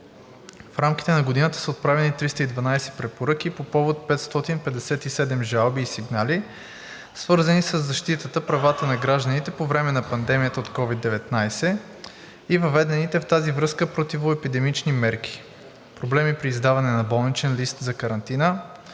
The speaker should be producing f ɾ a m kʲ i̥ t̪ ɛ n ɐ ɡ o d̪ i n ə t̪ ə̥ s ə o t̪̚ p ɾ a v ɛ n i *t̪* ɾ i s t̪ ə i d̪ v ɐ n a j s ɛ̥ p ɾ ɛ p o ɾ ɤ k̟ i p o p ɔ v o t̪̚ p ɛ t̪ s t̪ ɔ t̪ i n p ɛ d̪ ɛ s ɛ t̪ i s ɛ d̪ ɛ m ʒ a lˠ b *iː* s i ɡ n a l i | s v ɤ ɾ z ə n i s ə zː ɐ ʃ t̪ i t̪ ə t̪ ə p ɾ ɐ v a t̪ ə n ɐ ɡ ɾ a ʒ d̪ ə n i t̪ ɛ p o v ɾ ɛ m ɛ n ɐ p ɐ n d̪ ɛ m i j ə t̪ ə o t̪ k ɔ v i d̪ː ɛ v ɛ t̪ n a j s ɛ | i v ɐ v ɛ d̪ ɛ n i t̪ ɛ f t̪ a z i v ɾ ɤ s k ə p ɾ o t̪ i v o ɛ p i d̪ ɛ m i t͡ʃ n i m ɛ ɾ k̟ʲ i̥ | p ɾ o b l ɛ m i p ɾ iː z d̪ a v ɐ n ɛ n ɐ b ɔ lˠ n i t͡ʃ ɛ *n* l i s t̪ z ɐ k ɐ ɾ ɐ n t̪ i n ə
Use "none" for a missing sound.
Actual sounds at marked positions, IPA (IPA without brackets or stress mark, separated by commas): t̪, iː, n